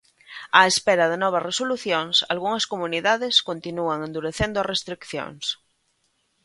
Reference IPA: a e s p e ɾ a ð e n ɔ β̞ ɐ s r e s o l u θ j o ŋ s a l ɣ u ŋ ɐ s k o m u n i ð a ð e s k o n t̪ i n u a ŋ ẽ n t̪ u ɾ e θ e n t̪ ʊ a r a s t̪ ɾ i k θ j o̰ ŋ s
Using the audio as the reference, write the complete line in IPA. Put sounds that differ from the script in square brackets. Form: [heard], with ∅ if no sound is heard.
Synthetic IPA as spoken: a e s p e ɾ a ð e n ɔ β̞ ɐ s r e s o l u θ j o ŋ s a l ɣ u ŋ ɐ s k o m u n i ð a ð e s k o n t̪ i n u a ŋ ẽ n [d̪] u ɾ e θ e n [d̪] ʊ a r [e] s t̪ ɾ i k θ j o̰ ŋ s